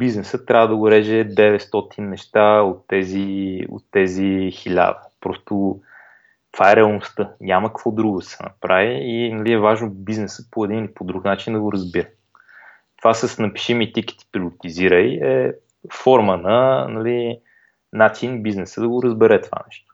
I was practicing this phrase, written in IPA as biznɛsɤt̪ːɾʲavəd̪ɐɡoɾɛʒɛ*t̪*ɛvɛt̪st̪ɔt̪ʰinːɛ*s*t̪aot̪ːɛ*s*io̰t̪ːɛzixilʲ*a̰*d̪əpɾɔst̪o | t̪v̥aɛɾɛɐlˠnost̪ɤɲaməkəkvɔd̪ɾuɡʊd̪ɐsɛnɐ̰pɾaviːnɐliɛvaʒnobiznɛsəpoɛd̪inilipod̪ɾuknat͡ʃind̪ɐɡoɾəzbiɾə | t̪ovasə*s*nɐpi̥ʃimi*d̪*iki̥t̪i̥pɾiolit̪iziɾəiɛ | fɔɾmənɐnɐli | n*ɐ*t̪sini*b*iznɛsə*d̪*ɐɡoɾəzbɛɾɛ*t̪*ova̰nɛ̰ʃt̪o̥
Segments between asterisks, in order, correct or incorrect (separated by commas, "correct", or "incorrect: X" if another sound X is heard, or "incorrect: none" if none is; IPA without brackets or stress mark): incorrect: d̪, incorrect: ʃ, incorrect: z, correct, correct, incorrect: t̪, incorrect: a, correct, correct, correct